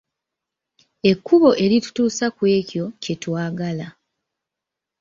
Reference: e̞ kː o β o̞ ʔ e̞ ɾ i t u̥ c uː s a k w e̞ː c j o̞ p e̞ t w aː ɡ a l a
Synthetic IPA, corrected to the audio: e̞ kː u β o̞ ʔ e̞ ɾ i t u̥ t uː s a k w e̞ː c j o̞ c e̞ t w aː ɡ a l a